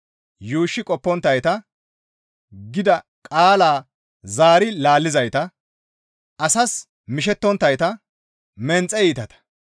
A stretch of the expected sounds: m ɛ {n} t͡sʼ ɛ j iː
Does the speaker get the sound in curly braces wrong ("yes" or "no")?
no